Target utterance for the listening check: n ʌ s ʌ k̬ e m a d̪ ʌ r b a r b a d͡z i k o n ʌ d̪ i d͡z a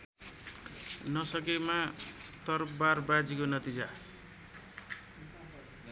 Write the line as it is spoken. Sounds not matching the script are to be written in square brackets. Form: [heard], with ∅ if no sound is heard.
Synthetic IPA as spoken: n ʌ s ʌ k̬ e m a [t̪] ʌ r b a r b a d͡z i k o n ʌ [t̪] i d͡z a